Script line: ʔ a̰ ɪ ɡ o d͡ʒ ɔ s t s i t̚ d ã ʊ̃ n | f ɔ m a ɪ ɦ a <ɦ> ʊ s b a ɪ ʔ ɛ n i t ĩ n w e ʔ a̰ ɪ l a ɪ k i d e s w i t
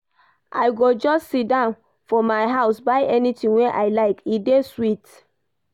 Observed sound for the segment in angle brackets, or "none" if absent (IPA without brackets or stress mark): none